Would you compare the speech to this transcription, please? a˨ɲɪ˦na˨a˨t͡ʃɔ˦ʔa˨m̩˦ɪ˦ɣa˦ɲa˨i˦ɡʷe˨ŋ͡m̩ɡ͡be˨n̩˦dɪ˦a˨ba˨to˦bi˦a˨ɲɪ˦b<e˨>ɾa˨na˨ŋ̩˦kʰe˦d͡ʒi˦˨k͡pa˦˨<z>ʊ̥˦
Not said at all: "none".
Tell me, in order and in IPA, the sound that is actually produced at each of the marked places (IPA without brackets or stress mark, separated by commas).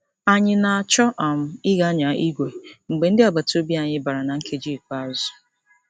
a˨, z